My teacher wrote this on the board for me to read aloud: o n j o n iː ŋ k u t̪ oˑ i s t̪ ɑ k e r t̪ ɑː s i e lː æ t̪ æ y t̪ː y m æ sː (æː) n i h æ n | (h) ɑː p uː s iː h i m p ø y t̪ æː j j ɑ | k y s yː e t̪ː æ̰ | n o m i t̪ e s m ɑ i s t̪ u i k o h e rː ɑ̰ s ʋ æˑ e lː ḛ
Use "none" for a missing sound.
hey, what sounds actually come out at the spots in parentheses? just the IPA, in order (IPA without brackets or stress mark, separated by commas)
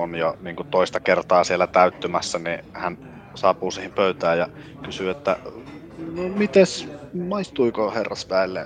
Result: æ, s